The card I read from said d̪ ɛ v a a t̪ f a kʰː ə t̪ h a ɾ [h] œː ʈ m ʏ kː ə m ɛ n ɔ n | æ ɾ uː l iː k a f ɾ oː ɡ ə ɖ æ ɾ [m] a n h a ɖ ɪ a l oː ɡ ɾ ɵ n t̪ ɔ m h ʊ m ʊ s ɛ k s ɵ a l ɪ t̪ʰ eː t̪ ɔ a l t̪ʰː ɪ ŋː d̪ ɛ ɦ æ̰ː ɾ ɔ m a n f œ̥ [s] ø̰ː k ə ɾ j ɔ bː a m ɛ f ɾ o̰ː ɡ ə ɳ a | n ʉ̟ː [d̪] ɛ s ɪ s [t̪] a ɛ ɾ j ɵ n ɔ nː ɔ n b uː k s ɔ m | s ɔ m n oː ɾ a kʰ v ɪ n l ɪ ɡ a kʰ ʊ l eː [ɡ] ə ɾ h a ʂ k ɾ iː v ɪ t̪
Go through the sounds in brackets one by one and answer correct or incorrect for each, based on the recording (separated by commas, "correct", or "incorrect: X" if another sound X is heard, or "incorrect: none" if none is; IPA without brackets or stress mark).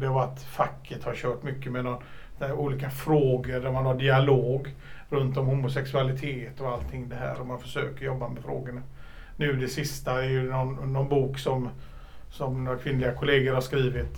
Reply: incorrect: ɕ, correct, incorrect: ʂ, correct, correct, correct